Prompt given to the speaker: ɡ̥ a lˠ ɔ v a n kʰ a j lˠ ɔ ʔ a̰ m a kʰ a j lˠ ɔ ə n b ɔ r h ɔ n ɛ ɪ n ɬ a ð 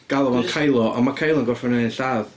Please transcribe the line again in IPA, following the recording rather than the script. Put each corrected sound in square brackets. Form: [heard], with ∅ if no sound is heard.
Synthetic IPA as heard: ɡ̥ a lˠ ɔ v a n kʰ a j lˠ ɔ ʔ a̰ m a kʰ a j lˠ ɔ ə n [ɡ] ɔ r [f] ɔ n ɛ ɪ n ɬ a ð